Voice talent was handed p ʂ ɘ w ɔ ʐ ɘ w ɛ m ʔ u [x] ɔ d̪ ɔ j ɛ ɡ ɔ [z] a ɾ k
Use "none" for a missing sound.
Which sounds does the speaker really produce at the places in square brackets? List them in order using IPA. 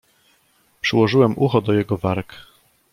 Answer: x, v

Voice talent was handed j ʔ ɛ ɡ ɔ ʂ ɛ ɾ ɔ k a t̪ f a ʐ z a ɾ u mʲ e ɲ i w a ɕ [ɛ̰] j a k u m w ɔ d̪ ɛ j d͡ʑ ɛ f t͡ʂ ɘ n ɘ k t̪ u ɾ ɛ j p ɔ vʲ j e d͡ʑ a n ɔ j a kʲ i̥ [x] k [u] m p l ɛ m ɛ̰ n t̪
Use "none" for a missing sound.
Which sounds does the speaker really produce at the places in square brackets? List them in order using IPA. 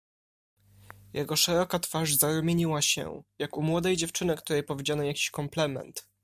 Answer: ɛ̰, ɕ, ɔ

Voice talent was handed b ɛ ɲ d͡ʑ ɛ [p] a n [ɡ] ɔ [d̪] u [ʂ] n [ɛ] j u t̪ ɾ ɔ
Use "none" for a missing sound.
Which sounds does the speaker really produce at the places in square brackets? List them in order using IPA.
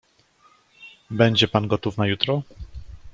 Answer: p, ɡ, t̪, f, a

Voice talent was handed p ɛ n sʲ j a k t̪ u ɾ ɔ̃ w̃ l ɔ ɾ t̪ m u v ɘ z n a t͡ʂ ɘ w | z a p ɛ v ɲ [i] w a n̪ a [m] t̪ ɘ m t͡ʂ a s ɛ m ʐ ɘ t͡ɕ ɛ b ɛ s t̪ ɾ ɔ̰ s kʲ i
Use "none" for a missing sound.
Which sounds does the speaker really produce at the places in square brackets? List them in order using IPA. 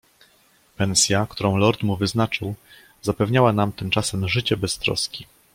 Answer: a, m

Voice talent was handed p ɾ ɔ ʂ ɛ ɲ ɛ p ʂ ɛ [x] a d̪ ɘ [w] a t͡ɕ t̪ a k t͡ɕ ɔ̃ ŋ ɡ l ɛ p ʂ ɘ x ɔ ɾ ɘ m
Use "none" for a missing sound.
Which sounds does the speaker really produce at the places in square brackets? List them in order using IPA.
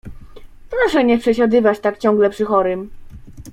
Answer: ɕ, v

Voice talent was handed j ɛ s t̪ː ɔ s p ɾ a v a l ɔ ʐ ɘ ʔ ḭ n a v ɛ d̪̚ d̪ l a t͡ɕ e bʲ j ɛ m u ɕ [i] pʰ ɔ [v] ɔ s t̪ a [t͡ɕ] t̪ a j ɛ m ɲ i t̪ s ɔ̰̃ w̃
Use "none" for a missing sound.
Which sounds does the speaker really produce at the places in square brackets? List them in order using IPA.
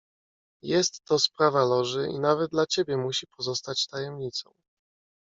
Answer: i, z, t͡ɕ

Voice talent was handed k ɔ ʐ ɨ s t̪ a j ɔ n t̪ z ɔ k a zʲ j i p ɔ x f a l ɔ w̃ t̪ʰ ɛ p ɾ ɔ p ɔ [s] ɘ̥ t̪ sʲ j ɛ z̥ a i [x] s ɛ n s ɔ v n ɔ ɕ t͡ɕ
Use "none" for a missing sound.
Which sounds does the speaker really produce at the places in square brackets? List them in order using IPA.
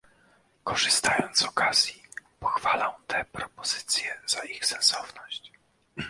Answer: z, x

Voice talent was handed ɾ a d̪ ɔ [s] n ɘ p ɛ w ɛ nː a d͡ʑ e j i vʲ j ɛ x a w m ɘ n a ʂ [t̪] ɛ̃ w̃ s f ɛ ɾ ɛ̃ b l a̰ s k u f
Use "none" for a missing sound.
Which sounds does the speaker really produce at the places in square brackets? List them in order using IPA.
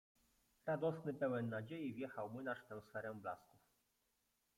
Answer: s, t̪

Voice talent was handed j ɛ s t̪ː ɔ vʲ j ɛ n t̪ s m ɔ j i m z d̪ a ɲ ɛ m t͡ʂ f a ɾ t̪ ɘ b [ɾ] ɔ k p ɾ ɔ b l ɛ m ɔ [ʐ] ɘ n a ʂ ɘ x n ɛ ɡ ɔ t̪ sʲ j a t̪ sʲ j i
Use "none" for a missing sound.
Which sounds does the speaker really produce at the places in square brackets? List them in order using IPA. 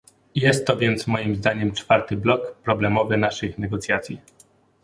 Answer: l, v

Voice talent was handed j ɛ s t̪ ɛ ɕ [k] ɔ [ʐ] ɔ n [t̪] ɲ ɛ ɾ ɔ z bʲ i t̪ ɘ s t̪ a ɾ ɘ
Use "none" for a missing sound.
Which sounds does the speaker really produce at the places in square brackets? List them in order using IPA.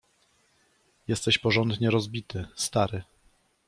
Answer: p, ʐ, d̪

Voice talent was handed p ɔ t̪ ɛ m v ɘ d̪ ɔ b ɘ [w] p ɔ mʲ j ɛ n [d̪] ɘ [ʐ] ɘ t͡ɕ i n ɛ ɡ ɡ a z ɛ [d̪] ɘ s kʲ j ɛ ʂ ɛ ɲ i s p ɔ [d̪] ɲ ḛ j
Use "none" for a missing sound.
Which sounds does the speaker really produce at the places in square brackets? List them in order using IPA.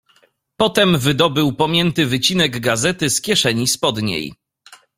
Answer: w, t̪, v, t̪, d̪

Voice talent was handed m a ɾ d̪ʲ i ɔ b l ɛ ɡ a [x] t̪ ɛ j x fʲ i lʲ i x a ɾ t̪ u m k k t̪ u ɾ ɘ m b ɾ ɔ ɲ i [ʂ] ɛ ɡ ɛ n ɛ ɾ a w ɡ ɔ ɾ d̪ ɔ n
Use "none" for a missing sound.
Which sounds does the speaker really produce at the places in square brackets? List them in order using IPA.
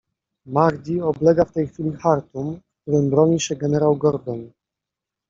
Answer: f, ɕ

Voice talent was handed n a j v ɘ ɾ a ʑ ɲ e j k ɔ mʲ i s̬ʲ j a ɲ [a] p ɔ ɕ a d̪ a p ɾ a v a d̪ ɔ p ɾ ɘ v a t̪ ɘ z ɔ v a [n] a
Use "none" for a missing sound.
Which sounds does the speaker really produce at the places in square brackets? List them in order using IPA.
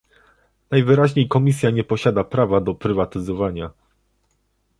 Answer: ɛ, ɲ

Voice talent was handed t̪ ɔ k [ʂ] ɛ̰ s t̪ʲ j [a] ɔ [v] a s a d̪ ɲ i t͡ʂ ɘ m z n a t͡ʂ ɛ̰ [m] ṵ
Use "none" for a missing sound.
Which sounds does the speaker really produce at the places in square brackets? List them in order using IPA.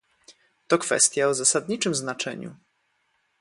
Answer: f, a, z, ɲ

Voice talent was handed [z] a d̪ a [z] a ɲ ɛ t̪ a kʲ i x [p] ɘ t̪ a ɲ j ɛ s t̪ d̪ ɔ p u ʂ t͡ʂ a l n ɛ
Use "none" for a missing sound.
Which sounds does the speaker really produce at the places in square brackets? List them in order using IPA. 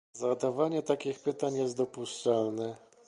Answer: z, v, p

